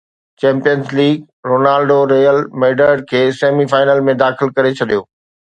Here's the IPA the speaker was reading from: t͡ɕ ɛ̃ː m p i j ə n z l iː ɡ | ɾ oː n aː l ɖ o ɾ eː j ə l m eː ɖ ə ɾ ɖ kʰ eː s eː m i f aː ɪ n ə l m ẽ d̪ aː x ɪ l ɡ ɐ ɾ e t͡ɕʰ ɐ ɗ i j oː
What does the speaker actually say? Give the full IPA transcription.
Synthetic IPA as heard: t͡ɕ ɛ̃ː m p i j ə n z l iː ɡ | ɾ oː n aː l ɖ o ɾ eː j ə l m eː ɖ ə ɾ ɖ kʰ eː s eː m i f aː ɪ n ə l m ẽ d̪ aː x ɪ l k ɐ ɾ e t͡ɕʰ ɐ ɗ i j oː